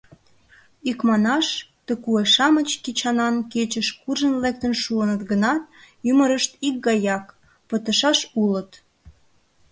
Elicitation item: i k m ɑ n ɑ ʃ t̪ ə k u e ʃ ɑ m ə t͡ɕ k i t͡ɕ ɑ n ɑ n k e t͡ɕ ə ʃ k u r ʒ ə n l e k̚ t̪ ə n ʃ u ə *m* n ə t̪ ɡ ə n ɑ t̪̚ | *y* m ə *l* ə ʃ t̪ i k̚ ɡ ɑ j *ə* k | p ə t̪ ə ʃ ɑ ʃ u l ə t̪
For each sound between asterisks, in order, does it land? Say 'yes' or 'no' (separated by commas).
no, yes, no, no